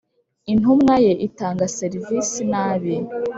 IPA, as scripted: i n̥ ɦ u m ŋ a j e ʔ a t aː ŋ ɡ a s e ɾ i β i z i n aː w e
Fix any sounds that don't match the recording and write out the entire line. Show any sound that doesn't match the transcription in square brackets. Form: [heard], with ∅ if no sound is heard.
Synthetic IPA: i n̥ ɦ u m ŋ a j e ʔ [i] t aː ŋ ɡ a s e ɾ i [v] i [s] i n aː [β] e